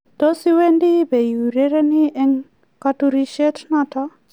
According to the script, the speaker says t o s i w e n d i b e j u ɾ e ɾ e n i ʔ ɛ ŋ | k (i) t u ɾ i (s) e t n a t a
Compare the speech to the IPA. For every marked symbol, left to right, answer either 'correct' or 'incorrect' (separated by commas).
incorrect, incorrect